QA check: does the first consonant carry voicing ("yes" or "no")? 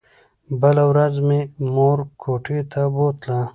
yes